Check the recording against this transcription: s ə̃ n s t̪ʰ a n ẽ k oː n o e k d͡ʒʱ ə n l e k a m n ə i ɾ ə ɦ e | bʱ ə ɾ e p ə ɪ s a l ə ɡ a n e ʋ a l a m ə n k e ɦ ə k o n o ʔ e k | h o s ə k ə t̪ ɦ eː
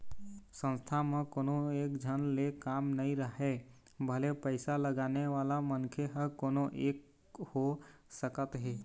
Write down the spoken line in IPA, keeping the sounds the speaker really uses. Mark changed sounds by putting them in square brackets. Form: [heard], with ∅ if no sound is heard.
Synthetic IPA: s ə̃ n s t̪ʰ a [m] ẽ k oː n o e k d͡ʒʱ ə n l e k a m n ə i ɾ ə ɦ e | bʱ ə [l] e p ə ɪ s a l ə ɡ a n e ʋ a l a m ə n [kʰ] e ɦ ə k o n o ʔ e k | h o s ə k ə t̪ ɦ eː